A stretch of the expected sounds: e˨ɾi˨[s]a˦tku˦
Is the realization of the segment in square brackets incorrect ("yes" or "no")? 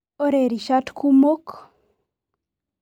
yes